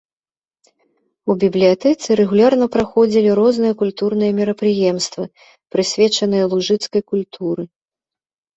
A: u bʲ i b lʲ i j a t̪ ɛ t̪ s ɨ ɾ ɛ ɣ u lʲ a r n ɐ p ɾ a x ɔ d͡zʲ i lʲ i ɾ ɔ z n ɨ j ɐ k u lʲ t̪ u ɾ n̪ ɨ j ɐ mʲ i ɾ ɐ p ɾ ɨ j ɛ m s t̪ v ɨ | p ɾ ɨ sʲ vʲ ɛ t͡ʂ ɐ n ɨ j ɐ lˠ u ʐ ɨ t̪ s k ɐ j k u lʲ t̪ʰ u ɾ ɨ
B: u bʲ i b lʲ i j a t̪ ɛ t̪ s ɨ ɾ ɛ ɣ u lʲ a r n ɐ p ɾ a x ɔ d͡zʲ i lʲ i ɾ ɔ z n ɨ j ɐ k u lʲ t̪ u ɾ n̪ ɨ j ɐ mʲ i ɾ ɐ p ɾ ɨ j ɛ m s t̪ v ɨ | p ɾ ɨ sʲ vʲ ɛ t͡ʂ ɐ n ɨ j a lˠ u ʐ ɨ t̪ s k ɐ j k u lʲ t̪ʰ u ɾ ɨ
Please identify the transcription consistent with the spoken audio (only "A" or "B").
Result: A